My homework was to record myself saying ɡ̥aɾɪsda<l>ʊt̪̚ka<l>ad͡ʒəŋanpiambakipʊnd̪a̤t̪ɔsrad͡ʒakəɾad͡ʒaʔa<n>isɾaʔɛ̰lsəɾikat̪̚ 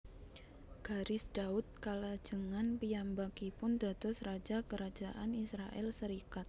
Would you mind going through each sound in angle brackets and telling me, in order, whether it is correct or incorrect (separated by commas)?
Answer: incorrect, correct, correct